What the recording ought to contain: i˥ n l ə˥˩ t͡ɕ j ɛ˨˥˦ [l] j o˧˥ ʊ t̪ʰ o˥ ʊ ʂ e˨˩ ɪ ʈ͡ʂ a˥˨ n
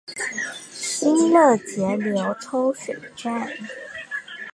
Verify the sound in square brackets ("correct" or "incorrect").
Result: correct